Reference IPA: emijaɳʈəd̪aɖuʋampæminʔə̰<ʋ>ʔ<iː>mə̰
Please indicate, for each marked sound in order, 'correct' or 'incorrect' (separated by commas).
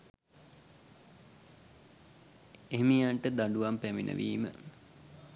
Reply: correct, correct